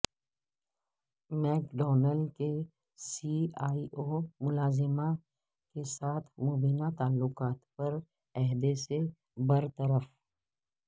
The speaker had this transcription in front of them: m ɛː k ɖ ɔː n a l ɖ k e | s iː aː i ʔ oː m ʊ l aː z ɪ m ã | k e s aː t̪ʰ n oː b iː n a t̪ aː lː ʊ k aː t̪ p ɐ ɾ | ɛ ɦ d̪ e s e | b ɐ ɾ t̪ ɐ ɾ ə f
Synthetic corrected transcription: m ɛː k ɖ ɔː n ə l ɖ k e | s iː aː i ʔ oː m ʊ l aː z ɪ m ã | k e s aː t̪ʰ m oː b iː n a t̪ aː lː ʊ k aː t̪ p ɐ ɾ | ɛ ɦ d̪ e s e | b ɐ ɾ t̪ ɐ ɾ ə f